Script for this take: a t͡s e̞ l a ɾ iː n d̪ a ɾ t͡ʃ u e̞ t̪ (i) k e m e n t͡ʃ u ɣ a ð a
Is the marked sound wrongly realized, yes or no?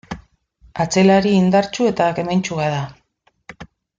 yes